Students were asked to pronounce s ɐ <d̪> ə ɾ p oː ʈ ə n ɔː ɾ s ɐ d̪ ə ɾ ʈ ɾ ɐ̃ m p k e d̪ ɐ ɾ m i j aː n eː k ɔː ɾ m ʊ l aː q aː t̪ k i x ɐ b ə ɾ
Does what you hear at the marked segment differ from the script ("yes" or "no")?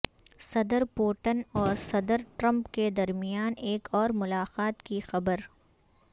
no